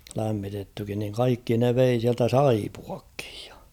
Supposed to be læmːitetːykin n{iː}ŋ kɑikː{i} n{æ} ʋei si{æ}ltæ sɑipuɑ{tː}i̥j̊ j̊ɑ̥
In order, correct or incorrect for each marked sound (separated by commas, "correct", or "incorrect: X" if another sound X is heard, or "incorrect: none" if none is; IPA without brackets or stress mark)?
incorrect: i, correct, incorrect: e, correct, incorrect: kː